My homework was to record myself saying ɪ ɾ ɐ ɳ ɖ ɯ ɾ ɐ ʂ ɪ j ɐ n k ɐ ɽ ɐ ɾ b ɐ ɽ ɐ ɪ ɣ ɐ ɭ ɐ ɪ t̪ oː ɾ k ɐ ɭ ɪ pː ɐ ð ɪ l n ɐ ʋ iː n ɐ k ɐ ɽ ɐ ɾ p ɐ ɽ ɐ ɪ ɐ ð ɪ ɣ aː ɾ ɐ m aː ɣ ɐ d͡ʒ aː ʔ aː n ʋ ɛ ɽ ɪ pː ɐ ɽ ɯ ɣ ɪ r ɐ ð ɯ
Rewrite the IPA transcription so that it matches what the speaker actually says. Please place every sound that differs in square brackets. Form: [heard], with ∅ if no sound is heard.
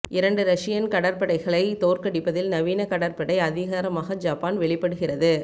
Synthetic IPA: ɪ ɾ ɐ ɳ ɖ ɯ ɾ ɐ ʂ ɪ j ɐ n k ɐ ɽ ɐ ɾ [p] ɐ ɽ ɐ ɪ ɣ ɐ ɭ ɐ ɪ t̪ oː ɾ k ɐ [ɽ] ɪ pː ɐ ð ɪ l n ɐ ʋ iː n ɐ k ɐ ɽ ɐ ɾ p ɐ ɽ ɐ ɪ ɐ ð ɪ ɣ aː ɾ ɐ m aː ɣ ɐ d͡ʒ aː [p] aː n ʋ ɛ [ɭ] ɪ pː ɐ ɽ ɯ ɣ ɪ r ɐ ð ɯ